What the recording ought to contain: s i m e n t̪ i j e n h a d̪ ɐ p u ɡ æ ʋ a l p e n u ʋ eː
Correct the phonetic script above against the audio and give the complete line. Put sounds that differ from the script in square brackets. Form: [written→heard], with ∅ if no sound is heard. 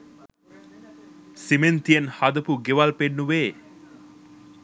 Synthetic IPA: s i m e n t̪ i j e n h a d̪ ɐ p u ɡ [æ→e] ʋ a l p e [n→nː] u ʋ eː